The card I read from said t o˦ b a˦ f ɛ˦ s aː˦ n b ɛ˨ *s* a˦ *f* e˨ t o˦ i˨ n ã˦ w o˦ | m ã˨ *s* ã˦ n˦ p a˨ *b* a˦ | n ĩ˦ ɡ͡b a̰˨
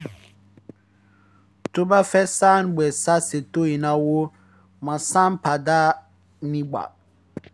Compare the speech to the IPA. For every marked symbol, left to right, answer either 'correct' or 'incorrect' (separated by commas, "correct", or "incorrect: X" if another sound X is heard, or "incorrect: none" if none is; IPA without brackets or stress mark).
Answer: correct, incorrect: s, correct, incorrect: d